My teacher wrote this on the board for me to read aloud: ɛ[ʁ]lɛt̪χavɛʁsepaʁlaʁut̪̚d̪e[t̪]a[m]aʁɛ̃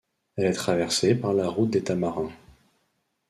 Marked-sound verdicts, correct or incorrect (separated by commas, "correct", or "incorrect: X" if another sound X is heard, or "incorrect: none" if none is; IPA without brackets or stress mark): incorrect: none, correct, correct